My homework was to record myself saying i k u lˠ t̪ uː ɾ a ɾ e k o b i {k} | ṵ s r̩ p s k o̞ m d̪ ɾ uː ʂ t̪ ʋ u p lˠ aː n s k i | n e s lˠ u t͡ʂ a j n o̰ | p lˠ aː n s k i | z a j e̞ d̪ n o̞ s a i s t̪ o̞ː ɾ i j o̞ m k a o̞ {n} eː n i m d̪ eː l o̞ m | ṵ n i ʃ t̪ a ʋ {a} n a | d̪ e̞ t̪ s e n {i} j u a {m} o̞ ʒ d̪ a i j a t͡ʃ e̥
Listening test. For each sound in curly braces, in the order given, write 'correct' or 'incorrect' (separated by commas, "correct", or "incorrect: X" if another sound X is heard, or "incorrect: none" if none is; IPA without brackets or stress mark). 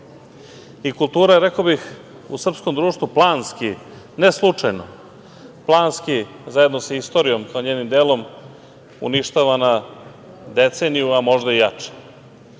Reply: incorrect: x, incorrect: ɲ, correct, correct, correct